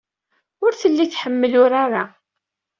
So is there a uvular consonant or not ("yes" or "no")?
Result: no